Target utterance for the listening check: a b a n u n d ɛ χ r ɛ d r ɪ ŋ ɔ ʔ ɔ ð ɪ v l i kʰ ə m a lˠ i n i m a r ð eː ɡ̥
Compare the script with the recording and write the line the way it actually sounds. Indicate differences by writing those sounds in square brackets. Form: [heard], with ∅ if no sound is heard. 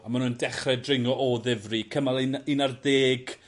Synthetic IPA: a [m] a n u n d ɛ χ r ɛ d r ɪ ŋ ɔ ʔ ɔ ð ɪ v [r] i kʰ ə m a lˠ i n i [n] a r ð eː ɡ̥